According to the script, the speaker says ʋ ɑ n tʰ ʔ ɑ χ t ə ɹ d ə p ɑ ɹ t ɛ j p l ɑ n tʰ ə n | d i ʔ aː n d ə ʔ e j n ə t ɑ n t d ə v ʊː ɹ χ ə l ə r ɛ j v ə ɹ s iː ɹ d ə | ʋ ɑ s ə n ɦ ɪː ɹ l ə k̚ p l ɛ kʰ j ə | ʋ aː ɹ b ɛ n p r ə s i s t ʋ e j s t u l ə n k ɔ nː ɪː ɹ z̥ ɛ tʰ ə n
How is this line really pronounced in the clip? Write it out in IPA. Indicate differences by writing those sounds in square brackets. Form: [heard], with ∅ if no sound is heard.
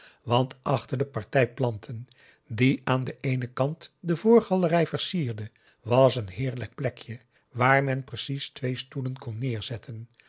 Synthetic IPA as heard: ʋ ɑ n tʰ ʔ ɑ χ t ə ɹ d ə p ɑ ɹ t ɛ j p l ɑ n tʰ ə n | d i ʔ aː n d ə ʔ e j n ə [k] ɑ n t d ə v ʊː ɹ χ [ɑ] l ə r ɛ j v ə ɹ s iː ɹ d ə | ʋ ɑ s ə n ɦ ɪː ɹ l ə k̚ p l ɛ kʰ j ə | ʋ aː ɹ [m] ɛ n p r ə s i s t ʋ e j s t u l ə n k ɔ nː ɪː ɹ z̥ ɛ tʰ ə n